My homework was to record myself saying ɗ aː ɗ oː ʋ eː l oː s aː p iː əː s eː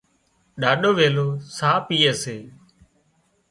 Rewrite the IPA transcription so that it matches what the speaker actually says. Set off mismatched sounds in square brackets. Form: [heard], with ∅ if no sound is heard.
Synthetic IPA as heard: ɗ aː ɗ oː ʋ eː l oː s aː p iː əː s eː

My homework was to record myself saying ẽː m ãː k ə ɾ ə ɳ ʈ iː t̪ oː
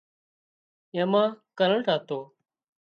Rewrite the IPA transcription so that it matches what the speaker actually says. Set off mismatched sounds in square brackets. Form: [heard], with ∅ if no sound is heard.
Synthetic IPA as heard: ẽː m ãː k ə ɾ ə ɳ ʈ [aː] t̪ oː

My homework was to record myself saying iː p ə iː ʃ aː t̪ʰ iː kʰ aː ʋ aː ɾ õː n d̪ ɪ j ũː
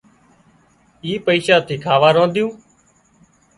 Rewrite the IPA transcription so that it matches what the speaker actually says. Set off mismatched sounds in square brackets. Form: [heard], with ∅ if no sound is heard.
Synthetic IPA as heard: iː p ə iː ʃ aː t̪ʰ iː kʰ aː ʋ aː ɾ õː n d̪ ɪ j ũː

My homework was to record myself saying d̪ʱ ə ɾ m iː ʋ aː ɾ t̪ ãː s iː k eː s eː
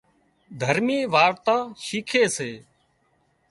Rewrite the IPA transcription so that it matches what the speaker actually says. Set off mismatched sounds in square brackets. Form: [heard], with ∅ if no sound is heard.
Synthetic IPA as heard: d̪ʱ ə ɾ m iː ʋ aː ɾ t̪ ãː [ʃ] iː [kʰ] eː s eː

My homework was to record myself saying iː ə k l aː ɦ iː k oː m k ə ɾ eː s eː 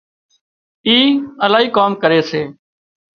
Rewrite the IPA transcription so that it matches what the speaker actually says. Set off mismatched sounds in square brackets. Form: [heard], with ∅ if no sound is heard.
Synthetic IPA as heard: iː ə [∅] l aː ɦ iː k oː m k ə ɾ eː s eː

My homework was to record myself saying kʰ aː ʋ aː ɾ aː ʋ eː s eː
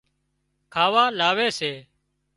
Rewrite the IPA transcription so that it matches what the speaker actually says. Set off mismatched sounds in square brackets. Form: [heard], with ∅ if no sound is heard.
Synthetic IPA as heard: kʰ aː ʋ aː [l] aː ʋ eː s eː

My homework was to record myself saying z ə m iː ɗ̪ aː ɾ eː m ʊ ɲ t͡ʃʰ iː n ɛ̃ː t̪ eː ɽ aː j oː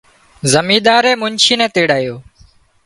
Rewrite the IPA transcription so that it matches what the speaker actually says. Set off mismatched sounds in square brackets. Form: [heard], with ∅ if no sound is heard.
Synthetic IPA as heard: z ə m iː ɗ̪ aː ɾ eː m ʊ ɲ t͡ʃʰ iː n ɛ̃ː t̪ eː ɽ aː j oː

